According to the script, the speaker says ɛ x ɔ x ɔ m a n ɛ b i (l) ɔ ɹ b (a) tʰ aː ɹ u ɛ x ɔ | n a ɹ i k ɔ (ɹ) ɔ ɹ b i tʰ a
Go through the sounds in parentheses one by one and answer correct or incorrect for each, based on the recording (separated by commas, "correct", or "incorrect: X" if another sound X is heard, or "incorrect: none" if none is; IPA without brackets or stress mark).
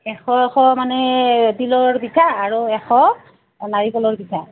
correct, incorrect: i, incorrect: l